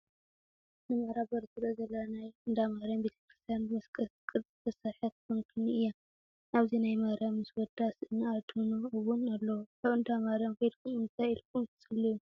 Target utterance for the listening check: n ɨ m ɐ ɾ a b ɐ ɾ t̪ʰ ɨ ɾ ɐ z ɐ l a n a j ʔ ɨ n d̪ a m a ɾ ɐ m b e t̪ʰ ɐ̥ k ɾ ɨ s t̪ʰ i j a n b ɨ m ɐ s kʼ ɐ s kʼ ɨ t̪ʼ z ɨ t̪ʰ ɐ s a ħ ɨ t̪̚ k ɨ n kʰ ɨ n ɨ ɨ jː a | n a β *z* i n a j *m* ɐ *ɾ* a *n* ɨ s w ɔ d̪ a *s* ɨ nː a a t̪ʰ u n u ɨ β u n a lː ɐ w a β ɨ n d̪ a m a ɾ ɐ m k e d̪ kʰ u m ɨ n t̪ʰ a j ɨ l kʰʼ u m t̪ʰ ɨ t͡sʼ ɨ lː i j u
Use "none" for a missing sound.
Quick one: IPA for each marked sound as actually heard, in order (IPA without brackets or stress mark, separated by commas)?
z, m, ɾ, m, s